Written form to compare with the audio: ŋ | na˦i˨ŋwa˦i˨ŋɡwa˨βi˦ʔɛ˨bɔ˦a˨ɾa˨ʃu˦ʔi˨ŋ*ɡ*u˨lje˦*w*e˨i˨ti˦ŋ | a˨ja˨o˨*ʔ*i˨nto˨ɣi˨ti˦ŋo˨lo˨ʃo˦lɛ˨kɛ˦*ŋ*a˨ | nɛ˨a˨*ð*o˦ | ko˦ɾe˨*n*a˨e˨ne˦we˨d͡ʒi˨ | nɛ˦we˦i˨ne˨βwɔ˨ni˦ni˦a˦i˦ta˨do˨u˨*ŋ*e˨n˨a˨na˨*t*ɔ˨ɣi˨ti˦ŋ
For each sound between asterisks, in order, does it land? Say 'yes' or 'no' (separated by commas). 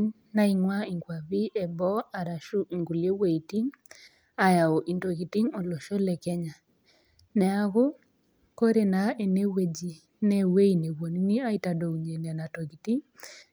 yes, yes, yes, no, no, yes, no, yes